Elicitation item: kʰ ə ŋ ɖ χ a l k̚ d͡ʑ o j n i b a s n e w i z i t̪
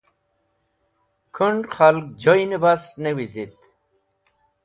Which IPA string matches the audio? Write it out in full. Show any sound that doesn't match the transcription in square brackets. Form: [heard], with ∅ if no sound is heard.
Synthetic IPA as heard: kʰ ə [ɳ] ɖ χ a l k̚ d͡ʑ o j n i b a s n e w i z i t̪